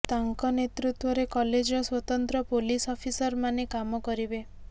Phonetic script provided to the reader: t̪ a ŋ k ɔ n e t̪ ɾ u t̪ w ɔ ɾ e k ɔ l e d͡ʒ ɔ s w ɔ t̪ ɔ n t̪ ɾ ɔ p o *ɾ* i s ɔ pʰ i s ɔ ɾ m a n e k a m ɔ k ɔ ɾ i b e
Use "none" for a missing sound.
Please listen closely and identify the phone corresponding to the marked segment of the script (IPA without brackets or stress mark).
l